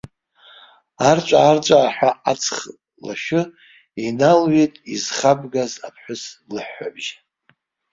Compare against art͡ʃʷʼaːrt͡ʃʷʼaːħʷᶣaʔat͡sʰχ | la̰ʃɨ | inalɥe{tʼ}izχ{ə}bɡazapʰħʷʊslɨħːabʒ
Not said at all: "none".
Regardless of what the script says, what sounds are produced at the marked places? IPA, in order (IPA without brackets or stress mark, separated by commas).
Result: tʼ, a